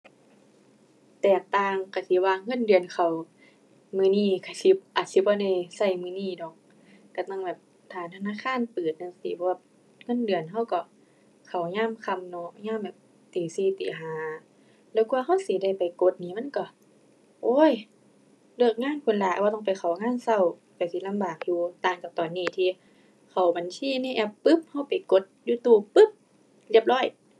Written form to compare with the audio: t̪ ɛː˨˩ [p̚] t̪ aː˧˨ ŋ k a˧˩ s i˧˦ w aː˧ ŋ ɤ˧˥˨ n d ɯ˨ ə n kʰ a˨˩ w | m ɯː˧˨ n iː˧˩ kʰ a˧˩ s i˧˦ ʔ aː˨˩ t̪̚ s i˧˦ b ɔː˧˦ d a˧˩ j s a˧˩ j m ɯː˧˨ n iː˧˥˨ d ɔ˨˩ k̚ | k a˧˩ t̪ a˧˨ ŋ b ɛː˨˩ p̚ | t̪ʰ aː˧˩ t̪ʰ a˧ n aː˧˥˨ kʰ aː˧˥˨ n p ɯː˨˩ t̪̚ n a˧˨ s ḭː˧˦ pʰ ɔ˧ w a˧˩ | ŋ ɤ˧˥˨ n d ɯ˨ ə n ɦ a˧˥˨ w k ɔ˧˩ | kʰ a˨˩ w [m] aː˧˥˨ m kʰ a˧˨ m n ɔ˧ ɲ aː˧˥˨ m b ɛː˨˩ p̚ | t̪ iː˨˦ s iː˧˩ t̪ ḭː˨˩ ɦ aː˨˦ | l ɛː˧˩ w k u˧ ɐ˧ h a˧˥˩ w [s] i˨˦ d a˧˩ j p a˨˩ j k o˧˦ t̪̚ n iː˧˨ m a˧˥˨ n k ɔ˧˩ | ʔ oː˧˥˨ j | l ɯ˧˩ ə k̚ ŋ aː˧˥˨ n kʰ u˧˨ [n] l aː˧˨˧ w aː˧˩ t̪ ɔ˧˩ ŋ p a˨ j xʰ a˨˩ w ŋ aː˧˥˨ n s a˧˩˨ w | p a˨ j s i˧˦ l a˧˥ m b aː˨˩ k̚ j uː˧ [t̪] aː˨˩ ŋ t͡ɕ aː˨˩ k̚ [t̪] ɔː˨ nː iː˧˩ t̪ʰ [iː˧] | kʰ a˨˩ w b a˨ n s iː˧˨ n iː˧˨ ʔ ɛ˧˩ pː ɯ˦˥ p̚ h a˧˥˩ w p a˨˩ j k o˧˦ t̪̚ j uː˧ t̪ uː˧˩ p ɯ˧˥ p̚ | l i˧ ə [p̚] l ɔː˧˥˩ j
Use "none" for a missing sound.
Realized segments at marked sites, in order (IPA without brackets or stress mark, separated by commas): k̚, ɲ, s, n, t̪, t̪, iː˧, p̚